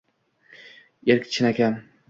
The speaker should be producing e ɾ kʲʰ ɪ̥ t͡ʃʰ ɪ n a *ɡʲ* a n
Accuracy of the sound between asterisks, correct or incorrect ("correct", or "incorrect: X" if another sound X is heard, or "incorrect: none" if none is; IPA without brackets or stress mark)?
incorrect: kʲ